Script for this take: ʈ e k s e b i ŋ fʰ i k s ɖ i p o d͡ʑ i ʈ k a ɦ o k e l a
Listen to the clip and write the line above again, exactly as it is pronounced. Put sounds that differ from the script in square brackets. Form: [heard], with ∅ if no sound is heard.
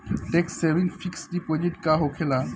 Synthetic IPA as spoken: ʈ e k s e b i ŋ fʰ i k s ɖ i p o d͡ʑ i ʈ k a ɦ o [kʰ] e l a